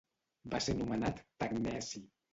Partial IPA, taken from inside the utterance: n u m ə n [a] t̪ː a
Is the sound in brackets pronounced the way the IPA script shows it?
yes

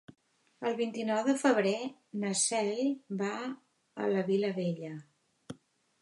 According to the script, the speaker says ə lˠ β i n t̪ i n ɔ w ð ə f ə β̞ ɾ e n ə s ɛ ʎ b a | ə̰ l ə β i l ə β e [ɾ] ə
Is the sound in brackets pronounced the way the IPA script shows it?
no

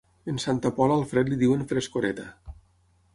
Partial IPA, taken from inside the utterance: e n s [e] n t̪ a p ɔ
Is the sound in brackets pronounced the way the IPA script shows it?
no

